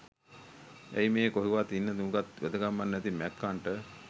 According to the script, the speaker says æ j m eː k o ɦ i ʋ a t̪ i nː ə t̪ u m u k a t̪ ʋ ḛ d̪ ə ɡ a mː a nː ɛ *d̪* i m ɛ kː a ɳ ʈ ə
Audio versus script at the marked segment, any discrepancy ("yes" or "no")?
yes